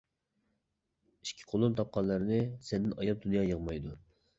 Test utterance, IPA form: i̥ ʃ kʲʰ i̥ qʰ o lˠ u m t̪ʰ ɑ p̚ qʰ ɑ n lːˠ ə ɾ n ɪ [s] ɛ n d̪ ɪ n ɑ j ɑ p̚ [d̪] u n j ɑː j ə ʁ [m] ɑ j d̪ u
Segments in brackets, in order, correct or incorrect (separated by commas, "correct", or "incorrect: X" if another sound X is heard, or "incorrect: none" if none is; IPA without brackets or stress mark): correct, correct, correct